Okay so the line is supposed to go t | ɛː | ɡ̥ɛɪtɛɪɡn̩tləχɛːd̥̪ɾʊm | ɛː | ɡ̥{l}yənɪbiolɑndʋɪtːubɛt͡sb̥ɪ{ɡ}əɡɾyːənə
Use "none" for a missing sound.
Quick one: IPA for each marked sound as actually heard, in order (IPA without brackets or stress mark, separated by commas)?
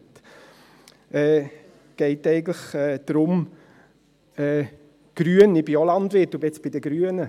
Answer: ɾ, d